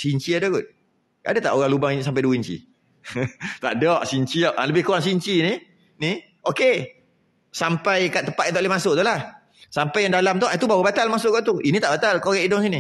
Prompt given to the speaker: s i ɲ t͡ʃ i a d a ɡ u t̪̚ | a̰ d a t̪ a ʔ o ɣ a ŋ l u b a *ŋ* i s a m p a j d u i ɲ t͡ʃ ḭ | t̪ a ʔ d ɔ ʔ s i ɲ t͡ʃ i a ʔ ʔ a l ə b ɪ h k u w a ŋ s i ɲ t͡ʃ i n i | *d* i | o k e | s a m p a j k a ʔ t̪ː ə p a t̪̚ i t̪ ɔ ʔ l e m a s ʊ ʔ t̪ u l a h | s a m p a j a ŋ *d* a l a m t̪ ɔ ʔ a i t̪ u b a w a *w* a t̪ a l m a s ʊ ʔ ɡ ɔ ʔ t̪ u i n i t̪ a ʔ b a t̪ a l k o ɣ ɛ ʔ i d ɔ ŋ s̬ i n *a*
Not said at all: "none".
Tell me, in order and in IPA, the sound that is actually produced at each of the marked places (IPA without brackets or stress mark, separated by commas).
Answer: ŋ, n, d, b, i